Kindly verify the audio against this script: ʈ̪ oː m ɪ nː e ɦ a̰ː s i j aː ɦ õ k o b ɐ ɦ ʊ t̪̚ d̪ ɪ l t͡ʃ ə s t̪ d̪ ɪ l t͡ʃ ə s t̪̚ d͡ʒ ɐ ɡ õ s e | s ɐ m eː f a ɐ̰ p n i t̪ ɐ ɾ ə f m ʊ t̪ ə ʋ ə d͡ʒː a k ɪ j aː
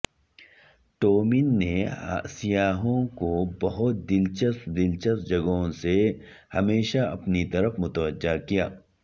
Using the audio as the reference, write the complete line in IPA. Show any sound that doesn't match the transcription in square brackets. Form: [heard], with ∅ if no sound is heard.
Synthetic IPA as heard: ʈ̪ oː m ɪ nː e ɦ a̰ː s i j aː ɦ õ k o b ɐ ɦ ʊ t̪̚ d̪ ɪ l t͡ʃ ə s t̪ d̪ ɪ l t͡ʃ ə s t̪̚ d͡ʒ ɐ ɡ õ s e | [h] ɐ m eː [ʃ] a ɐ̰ p n i t̪ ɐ ɾ ə f m ʊ t̪ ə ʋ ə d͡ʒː a k [i] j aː

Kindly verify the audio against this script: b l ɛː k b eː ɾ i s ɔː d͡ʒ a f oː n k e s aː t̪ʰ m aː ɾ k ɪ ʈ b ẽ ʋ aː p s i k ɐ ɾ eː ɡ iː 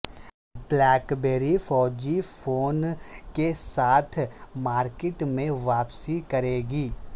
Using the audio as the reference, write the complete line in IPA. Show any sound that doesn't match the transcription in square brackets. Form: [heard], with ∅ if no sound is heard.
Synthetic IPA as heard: b l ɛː k b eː ɾ i [f] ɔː d͡ʒ [i] f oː n k e s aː t̪ʰ m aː ɾ k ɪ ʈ [m] ẽ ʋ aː p s i k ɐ ɾ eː ɡ iː

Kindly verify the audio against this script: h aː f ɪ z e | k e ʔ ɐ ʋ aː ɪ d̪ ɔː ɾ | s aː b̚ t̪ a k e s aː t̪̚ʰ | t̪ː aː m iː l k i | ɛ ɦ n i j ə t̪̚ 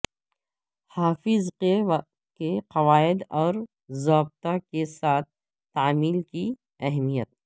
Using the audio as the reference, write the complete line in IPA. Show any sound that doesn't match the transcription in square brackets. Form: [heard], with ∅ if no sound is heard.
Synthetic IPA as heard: h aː f ɪ z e | k e [q] ɐ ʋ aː ɪ d̪ ɔː ɾ | [z] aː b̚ t̪ a k e s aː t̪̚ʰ | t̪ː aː m iː l k i | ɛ ɦ [m] i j ə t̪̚

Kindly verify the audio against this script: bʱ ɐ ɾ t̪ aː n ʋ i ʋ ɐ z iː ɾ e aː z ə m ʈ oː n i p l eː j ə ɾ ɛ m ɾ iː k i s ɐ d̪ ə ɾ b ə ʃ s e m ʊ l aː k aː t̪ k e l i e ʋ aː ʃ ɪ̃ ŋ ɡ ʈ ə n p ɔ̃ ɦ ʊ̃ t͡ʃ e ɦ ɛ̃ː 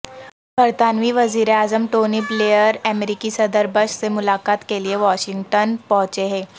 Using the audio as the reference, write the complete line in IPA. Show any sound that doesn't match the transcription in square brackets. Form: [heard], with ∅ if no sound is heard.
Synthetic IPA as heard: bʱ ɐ ɾ t̪ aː n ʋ i ʋ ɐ z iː ɾ e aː z ə m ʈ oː n i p l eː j ə ɾ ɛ m ɾ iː k i s ɐ d̪ ə ɾ b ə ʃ s e m ʊ l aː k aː t̪ k e l i e ʋ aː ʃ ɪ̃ ŋ ɡ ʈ ə n p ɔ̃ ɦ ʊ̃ t͡ʃ e ɦ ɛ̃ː

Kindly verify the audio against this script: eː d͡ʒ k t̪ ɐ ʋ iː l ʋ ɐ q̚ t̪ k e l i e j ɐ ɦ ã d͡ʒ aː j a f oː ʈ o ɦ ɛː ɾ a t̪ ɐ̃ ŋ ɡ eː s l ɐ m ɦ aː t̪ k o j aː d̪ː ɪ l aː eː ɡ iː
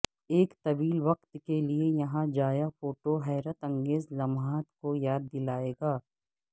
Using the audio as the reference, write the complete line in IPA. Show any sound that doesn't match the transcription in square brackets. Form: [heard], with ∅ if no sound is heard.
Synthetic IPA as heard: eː [∅] k t̪ ɐ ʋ iː l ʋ ɐ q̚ t̪ k e l i e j ɐ ɦ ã d͡ʒ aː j a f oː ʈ o ɦ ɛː ɾ [ə] t̪ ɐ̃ ŋ ɡ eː [z] l ɐ m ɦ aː t̪ k o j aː d̪ː ɪ l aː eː ɡ [aː]

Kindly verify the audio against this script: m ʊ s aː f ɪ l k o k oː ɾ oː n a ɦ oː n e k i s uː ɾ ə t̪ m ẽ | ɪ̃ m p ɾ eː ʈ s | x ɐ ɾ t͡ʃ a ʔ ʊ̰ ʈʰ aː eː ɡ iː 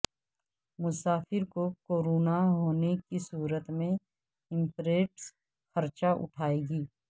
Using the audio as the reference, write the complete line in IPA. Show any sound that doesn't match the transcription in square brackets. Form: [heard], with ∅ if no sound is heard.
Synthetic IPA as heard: m ʊ s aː f ɪ [ɾ] k o k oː ɾ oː n a ɦ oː n e k i s uː ɾ ə t̪ m ẽ | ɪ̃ m p ɾ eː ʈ s | x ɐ ɾ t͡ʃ a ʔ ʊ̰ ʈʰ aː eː ɡ iː

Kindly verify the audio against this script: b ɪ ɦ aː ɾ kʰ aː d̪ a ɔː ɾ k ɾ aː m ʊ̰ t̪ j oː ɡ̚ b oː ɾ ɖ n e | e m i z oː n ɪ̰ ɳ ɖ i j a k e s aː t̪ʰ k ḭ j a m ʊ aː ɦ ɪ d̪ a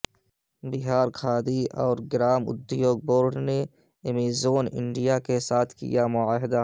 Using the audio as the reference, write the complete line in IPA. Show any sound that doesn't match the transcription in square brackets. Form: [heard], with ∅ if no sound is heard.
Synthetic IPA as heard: b ɪ ɦ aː ɾ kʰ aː d̪ [i] ɔː ɾ [ɡ] ɾ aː m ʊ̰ [d̪] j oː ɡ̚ b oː ɾ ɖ n e | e m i z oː n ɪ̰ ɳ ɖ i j a k e s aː t̪ʰ k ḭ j a m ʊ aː ɦ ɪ d̪ a

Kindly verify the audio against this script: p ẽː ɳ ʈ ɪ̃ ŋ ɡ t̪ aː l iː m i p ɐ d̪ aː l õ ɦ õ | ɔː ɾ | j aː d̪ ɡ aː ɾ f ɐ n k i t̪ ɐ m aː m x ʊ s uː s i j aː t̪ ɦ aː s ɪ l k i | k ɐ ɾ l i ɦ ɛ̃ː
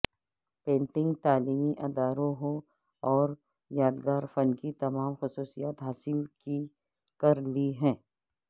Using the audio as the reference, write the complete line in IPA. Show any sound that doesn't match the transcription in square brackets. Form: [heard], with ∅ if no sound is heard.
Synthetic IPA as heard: p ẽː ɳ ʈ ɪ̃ ŋ ɡ t̪ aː l iː m i [ʔ] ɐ d̪ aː [ɾ] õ ɦ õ | ɔː ɾ | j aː d̪ ɡ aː ɾ f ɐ n k i t̪ ɐ m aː m x ʊ s uː s i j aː t̪ ɦ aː s ɪ l k i | k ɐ ɾ l i ɦ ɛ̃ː

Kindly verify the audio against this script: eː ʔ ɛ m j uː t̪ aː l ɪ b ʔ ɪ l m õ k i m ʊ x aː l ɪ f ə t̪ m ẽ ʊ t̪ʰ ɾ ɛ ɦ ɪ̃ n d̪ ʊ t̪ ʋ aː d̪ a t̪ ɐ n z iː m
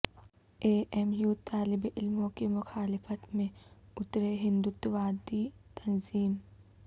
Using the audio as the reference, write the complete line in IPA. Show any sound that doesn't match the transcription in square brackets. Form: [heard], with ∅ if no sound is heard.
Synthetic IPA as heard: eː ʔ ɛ m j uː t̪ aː l ɪ b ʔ ɪ l m õ k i m ʊ x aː l ɪ f ə t̪ m ẽ ʊ [t̪] ɾ [e] ɦ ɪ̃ n d̪ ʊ t̪ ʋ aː d̪ [i] t̪ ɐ n z iː m

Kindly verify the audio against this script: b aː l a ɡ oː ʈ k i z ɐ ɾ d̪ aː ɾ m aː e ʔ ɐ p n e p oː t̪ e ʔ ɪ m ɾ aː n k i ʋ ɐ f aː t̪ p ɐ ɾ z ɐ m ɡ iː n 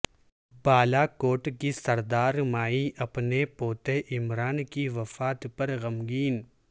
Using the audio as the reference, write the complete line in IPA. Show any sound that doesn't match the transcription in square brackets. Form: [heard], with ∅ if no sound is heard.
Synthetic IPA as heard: b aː l a [k] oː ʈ k i [s] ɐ ɾ d̪ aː ɾ m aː [i] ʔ ɐ p n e p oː t̪ e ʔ ɪ m ɾ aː n k i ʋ ɐ f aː t̪ p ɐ ɾ [ɣ] ɐ m ɡ iː n

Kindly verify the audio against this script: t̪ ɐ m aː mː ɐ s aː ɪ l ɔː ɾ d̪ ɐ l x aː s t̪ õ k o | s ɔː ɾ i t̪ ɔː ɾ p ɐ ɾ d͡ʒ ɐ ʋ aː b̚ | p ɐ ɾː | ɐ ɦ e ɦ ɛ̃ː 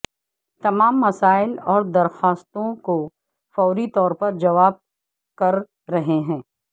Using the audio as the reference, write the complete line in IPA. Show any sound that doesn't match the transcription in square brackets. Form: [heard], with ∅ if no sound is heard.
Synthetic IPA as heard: t̪ ɐ m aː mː ɐ s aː ɪ l ɔː ɾ d̪ ɐ [ɾ] x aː s t̪ õ k o | [f] ɔː ɾ i t̪ ɔː ɾ p ɐ ɾ d͡ʒ ɐ ʋ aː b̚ | [k] ɐ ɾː | ɐ ɦ e ɦ ɛ̃ː

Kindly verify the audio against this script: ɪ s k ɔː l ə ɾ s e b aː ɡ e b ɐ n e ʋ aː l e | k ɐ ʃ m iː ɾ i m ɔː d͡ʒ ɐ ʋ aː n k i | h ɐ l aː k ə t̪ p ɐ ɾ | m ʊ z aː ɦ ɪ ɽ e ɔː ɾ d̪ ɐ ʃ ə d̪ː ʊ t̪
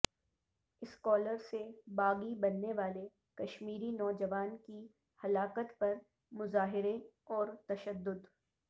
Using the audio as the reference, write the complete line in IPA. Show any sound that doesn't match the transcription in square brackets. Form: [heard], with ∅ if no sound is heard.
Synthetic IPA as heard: ɪ s k ɔː l ə ɾ s e b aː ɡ [i] b ɐ [nː] e ʋ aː l e | k ɐ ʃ m iː ɾ i [n] ɔː d͡ʒ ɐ ʋ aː n k i | h ɐ l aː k ə t̪ p ɐ ɾ | m ʊ z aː ɦ ɪ [ɾ] e ɔː ɾ [t̪] ɐ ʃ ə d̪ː ʊ [d̪]

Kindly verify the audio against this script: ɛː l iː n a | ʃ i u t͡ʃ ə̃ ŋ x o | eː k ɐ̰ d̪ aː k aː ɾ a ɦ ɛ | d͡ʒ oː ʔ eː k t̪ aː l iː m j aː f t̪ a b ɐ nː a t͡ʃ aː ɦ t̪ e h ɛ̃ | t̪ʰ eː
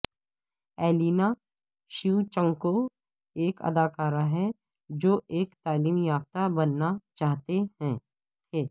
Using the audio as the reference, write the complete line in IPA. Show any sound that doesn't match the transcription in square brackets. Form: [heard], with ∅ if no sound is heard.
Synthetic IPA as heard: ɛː l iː n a | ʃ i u t͡ʃ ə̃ ŋ [k] o | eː k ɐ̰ d̪ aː k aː ɾ a ɦ ɛ | d͡ʒ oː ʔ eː k t̪ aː l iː m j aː f t̪ a b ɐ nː a t͡ʃ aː ɦ t̪ e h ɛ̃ | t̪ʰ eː

